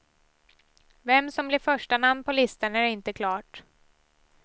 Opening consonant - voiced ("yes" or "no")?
yes